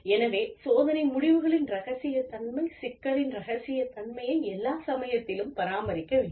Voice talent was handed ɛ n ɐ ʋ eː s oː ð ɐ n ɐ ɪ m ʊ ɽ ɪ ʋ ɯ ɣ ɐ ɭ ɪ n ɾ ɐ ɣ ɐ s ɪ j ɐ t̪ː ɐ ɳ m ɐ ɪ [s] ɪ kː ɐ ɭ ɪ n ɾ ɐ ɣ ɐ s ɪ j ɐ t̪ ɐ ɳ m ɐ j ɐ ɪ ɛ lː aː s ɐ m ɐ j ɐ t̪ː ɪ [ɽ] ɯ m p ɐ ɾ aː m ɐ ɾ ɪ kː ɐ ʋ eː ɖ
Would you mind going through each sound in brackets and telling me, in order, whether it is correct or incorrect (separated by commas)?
correct, incorrect